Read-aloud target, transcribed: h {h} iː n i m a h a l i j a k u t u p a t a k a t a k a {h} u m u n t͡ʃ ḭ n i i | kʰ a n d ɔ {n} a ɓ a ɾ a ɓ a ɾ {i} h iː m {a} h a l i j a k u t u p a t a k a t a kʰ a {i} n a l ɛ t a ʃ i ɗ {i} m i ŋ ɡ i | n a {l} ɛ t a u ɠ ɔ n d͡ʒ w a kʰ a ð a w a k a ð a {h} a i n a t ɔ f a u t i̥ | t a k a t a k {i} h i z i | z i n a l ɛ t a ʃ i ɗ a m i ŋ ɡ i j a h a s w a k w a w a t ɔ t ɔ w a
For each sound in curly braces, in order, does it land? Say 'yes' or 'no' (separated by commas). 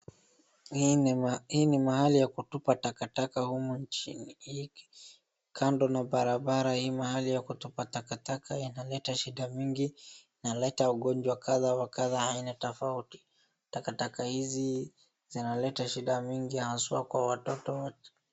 yes, yes, yes, no, yes, yes, no, yes, yes, no